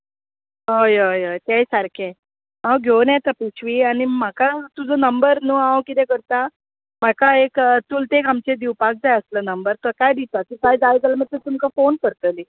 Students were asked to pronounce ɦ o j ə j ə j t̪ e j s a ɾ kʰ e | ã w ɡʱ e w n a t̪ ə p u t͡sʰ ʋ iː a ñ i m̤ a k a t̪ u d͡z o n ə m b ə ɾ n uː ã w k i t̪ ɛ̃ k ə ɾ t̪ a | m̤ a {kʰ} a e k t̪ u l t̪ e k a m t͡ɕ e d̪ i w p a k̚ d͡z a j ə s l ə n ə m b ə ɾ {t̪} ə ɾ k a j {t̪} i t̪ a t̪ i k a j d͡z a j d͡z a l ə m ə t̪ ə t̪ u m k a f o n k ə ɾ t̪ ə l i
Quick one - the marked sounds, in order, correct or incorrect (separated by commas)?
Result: incorrect, correct, incorrect